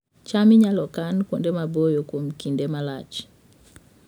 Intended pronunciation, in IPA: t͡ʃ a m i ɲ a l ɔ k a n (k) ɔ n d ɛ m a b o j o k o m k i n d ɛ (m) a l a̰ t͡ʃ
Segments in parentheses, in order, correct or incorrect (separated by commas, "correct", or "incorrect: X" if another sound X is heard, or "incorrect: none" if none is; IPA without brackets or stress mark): correct, correct